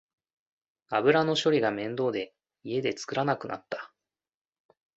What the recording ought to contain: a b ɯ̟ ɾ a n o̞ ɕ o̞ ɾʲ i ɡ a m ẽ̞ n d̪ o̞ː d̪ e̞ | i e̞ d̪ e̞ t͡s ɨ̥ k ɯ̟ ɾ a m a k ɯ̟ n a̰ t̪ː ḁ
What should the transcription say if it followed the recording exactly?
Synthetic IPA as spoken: a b ɯ̟ ɾ a n o̞ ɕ o̞ ɾʲ i ɡ a m ẽ̞ n d̪ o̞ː d̪ e̞ | i e̞ d̪ e̞ t͡s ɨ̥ k ɯ̟ ɾ a n a k ɯ̟ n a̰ t̪ː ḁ